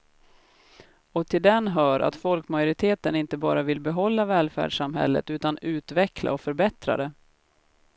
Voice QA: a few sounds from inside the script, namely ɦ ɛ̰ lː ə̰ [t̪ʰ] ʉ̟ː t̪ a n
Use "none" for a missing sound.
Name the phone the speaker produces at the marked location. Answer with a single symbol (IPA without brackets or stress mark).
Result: t̪